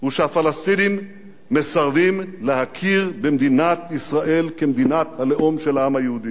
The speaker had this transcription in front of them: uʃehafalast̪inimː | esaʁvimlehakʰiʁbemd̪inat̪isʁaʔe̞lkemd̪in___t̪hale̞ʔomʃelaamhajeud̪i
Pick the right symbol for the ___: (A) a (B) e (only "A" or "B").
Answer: A